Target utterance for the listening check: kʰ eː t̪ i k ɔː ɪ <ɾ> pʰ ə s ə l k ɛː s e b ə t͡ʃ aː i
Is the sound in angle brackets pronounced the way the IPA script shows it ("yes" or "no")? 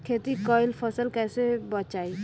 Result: no